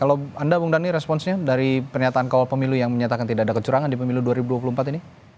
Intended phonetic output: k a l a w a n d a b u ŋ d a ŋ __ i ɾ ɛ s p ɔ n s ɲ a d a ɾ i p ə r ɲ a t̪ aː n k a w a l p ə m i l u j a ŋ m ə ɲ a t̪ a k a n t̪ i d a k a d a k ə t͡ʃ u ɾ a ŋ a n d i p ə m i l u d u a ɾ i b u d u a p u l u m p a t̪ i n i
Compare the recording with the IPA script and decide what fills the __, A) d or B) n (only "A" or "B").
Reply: B